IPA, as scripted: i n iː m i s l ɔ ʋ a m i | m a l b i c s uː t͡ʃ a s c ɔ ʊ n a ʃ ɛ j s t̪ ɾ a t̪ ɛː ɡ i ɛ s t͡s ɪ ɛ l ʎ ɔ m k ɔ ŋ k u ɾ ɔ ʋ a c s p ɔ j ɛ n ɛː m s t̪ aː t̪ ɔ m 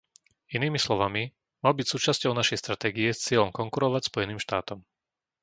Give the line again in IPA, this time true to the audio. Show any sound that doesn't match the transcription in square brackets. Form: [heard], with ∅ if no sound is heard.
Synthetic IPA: i n iː m i s l ɔ ʋ a m i | m a l b i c s uː t͡ʃ a s c ɔ ʊ n a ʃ ɛ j s t̪ ɾ a t̪ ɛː ɡ i ɛ s t͡s ɪ ɛ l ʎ ɔ m k ɔ ŋ k u ɾ ɔ ʋ a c s p ɔ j ɛ n [iː] m [ʃ] t̪ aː t̪ ɔ m